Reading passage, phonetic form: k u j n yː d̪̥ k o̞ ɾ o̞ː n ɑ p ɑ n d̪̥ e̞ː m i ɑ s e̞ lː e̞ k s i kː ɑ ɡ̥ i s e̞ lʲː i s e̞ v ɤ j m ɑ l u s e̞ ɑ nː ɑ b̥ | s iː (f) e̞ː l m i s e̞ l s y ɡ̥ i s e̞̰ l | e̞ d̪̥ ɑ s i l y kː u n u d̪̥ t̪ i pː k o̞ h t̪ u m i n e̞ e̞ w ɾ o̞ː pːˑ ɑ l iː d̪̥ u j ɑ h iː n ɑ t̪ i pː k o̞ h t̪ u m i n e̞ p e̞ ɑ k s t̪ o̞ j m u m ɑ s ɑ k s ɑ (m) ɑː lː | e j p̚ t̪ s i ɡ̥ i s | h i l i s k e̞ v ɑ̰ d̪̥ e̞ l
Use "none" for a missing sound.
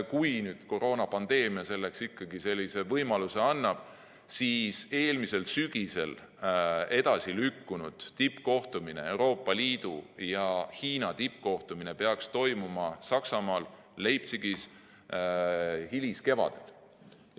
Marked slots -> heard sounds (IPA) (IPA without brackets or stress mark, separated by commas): s, m